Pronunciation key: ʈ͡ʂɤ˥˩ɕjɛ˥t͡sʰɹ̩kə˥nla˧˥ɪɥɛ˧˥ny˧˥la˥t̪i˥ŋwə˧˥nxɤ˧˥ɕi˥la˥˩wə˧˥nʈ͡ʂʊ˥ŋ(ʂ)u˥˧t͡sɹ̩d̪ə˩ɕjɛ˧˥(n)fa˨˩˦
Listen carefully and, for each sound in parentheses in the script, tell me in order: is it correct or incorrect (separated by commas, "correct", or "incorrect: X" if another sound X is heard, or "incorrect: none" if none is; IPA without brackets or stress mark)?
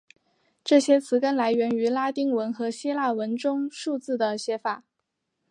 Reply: correct, incorrect: none